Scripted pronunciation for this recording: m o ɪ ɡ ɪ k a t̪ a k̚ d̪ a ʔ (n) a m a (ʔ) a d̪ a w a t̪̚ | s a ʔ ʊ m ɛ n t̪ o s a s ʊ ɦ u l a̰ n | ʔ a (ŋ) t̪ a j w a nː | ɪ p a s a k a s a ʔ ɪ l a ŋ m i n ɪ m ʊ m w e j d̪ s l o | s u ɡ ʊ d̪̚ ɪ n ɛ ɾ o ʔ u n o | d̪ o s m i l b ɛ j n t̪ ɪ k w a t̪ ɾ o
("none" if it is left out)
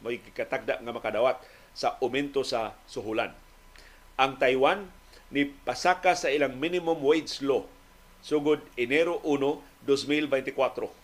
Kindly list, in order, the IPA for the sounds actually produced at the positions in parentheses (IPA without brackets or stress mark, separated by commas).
ŋ, k, ŋ